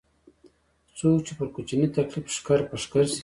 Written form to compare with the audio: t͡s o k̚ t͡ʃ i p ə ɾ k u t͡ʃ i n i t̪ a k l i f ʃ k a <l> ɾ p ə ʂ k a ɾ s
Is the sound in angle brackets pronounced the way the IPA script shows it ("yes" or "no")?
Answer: no